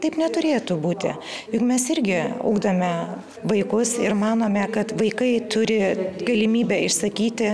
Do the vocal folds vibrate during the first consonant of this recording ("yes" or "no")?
no